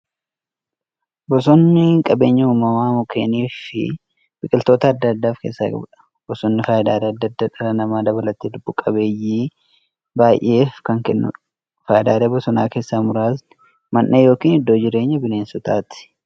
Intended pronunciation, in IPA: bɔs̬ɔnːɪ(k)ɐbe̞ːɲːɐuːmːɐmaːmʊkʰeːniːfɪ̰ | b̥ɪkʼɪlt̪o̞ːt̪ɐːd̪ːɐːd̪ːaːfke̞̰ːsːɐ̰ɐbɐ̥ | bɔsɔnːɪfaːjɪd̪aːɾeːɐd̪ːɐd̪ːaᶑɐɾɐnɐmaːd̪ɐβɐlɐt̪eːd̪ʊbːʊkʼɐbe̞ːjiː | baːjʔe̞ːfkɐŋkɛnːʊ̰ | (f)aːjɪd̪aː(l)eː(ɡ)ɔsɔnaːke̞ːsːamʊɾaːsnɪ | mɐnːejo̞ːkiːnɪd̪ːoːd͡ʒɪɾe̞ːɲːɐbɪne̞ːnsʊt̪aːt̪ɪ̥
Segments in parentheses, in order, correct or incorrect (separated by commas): incorrect, correct, incorrect, incorrect